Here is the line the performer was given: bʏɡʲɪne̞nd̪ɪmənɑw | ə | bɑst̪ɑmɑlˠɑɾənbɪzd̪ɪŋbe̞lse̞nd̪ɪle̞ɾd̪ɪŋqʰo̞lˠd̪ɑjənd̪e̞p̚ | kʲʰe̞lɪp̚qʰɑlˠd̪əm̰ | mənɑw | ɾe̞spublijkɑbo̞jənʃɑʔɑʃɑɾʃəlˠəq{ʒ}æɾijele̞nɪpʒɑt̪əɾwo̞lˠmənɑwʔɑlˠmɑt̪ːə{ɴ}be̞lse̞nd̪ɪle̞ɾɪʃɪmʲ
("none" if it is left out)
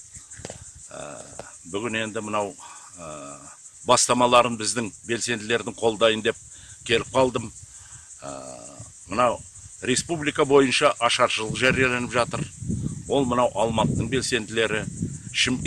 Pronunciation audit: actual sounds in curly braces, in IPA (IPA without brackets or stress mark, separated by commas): ʒ, ɴ